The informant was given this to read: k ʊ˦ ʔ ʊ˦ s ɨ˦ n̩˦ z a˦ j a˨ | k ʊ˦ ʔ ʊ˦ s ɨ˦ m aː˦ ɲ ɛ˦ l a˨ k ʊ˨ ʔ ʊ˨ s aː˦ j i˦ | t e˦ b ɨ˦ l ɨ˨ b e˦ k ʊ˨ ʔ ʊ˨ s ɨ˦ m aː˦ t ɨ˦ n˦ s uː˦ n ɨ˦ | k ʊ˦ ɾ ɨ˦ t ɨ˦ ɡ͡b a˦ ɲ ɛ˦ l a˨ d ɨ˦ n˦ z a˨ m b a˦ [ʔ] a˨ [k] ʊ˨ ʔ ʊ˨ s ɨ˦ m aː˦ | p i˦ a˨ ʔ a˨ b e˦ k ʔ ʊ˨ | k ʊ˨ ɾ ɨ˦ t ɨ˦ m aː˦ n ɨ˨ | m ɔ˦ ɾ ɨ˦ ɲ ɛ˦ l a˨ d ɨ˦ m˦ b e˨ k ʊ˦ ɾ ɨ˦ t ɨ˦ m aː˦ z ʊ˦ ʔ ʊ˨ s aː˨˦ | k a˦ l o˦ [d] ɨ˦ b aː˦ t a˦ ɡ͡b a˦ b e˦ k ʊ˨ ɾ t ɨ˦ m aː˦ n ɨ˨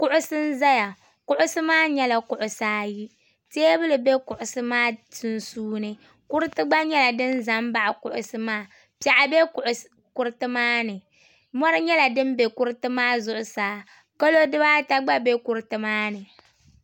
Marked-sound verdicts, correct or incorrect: correct, correct, correct

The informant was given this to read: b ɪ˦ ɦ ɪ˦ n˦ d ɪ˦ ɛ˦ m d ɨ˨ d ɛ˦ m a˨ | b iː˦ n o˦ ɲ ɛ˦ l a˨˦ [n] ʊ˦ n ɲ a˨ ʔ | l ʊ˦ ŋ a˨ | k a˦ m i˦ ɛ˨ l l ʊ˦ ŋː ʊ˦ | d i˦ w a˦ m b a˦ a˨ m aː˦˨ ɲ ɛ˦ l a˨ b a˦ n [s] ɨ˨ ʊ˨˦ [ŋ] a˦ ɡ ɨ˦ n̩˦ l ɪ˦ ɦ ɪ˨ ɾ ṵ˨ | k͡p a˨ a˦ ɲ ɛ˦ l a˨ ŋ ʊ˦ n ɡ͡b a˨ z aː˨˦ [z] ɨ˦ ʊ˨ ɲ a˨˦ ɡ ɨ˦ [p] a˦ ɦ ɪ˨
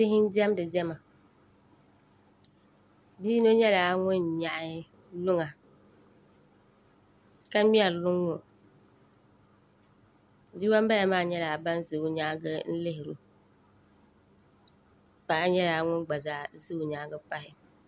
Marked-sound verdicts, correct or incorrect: incorrect, incorrect, incorrect, correct, correct

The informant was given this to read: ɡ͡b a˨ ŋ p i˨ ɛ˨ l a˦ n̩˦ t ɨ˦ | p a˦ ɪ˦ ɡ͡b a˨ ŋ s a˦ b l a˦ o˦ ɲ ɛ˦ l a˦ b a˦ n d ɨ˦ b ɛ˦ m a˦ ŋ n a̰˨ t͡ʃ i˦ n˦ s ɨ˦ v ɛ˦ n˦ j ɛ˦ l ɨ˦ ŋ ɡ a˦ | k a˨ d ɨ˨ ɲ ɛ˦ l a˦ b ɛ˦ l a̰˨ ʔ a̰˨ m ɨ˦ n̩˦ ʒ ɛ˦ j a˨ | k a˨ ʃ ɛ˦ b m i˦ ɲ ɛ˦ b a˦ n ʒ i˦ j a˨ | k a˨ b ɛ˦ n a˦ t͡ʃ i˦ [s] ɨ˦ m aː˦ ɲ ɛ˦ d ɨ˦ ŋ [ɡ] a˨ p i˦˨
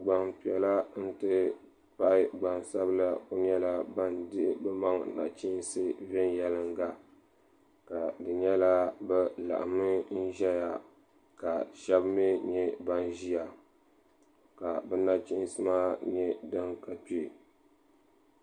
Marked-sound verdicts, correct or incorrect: correct, incorrect

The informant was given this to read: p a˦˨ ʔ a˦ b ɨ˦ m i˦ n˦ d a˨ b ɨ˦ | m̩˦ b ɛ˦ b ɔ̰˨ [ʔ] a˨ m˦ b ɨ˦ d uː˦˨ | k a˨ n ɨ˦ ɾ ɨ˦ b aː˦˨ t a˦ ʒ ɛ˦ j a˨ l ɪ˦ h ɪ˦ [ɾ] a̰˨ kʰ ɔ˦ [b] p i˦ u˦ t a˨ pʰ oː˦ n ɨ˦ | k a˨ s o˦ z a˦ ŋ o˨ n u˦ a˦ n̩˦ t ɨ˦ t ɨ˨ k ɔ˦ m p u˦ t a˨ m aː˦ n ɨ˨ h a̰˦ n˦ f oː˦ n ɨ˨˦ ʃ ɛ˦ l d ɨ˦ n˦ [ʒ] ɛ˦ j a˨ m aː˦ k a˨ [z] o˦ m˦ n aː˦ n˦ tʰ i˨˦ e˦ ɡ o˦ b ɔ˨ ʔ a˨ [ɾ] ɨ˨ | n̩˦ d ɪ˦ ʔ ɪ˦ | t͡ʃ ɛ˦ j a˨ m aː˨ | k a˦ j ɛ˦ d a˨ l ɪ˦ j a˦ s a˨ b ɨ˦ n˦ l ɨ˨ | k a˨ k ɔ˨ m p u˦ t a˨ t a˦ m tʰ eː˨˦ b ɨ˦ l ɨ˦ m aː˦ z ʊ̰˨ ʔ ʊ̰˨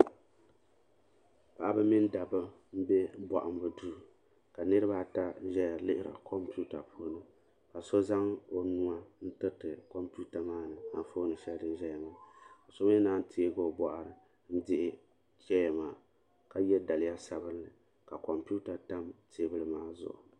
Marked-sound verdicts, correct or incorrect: correct, correct, incorrect, correct, incorrect, correct

